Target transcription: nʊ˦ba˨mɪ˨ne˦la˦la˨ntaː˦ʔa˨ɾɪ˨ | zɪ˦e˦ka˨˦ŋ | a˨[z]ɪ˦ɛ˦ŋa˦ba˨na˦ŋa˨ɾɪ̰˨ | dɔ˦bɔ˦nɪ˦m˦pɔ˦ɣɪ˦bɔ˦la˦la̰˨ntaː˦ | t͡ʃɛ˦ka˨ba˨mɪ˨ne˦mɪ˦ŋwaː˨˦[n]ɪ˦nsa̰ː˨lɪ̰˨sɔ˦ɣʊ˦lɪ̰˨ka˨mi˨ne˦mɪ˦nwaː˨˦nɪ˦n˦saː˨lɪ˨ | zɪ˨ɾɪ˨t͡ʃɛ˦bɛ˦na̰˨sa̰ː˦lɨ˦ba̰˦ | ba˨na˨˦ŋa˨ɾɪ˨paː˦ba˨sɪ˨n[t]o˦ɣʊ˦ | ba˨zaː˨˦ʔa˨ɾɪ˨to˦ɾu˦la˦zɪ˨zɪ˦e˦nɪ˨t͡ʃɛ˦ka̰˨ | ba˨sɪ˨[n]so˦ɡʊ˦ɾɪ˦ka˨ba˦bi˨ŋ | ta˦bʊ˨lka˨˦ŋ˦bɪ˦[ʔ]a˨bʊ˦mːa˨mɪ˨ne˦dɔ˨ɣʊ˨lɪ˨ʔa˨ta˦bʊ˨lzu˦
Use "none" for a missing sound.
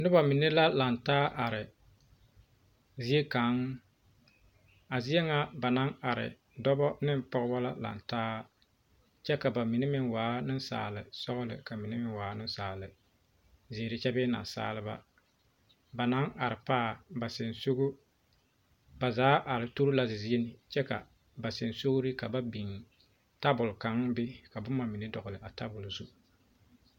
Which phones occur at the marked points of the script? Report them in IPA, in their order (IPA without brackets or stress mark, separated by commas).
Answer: z, n, s, n, k